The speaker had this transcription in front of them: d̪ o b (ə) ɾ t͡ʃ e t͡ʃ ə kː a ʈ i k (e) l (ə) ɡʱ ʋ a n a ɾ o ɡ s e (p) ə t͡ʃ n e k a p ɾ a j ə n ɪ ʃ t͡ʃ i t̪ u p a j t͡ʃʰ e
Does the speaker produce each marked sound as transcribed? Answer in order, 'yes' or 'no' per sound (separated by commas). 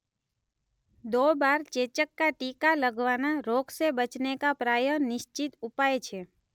no, no, yes, no